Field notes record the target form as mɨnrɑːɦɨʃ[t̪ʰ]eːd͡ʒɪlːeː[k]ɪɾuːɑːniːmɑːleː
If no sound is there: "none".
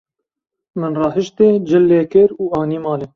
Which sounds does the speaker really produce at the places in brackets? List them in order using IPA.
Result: t̪, k

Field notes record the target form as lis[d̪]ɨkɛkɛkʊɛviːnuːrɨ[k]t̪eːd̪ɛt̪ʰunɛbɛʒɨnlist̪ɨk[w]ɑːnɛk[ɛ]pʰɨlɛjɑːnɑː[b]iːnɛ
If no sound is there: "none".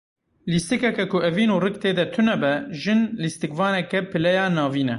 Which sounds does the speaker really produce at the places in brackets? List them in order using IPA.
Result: t̪, k, v, ɛ, v

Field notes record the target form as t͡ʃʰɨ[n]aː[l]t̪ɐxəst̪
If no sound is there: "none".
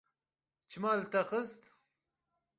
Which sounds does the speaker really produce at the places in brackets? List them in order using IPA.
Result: m, l

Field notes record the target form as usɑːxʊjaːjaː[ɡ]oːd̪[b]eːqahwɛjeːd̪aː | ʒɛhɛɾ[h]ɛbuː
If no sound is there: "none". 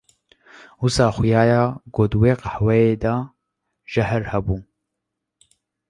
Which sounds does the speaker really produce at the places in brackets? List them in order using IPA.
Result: ɡ, w, h

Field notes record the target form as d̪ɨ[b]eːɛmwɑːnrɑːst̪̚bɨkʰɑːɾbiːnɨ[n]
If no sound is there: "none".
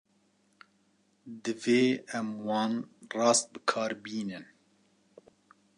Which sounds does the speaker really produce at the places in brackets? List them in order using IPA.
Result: v, n

